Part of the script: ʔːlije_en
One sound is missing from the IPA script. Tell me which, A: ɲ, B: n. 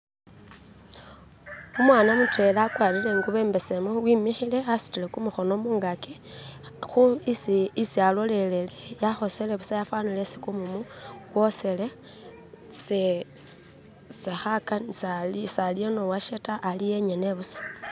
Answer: A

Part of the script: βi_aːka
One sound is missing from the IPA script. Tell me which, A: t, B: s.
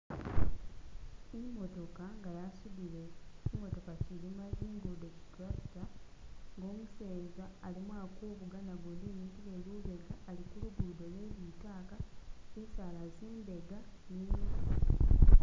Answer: A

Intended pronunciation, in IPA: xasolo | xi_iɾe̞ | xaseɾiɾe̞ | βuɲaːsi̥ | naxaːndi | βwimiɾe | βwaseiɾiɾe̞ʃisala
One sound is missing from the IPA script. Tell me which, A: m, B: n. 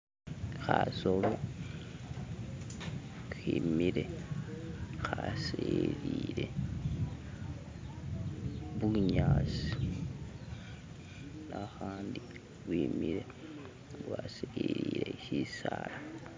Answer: A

